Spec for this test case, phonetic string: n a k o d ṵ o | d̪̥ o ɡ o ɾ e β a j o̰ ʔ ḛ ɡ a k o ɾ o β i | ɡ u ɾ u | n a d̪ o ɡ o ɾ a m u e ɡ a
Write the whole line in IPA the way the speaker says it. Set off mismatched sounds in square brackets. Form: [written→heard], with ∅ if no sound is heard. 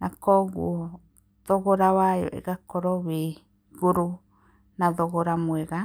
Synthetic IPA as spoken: n a k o [d→ɡ] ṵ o | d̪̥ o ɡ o ɾ [e→a] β a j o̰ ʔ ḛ ɡ a k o ɾ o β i | ɡ u ɾ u | n a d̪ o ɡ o ɾ a m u e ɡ a